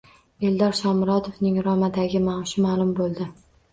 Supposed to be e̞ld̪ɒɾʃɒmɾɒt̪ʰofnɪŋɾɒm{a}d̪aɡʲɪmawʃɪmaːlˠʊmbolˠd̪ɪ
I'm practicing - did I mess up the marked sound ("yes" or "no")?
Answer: no